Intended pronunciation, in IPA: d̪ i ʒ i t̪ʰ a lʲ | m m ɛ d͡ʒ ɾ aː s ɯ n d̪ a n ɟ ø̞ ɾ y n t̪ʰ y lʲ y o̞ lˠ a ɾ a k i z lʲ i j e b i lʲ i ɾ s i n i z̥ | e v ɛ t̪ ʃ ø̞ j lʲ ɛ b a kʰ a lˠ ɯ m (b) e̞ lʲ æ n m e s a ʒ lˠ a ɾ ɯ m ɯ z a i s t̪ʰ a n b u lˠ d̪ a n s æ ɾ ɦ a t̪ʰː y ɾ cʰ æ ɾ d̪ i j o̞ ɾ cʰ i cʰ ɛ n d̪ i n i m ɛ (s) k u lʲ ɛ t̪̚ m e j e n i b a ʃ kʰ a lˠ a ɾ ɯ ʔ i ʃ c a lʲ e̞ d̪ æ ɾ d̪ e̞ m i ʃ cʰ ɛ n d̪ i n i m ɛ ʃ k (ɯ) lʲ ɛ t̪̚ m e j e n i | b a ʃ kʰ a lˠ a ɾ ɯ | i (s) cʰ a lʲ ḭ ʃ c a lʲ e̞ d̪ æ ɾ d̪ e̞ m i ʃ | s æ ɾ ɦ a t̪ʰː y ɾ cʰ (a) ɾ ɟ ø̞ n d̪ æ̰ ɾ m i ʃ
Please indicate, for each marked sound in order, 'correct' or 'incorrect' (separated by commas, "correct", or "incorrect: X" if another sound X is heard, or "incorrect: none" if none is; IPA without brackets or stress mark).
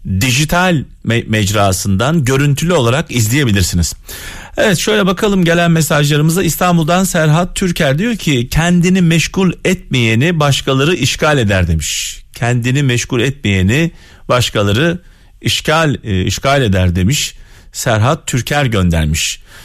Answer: incorrect: ɟ, incorrect: ʃ, incorrect: u, incorrect: ʃ, incorrect: æ